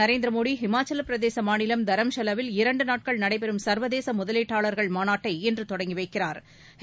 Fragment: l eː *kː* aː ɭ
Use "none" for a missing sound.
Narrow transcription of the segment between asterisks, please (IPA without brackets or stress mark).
ʈː